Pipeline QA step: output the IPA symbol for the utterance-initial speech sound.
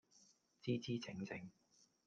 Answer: t͡s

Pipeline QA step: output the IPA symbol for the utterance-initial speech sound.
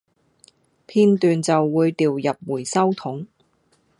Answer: pʰ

